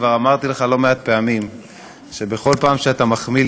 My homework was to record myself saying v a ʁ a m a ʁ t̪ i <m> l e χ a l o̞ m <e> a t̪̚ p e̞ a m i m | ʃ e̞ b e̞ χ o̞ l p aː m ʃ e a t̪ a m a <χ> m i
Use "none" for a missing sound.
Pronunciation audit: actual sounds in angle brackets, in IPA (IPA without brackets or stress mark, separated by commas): none, e, χ